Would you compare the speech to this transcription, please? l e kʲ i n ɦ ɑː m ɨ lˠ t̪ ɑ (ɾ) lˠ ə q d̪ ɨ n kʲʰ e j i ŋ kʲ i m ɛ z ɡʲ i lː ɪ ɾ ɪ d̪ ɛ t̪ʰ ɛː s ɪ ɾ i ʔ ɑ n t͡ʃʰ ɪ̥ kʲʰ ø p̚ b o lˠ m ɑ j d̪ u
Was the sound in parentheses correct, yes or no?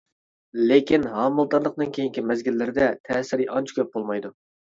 yes